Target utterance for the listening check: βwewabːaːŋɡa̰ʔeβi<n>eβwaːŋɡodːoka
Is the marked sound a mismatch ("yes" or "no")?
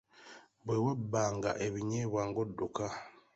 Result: yes